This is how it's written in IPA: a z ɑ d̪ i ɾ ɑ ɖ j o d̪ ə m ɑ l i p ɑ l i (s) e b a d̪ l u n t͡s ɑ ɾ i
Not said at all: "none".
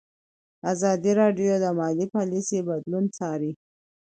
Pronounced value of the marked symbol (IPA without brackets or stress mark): s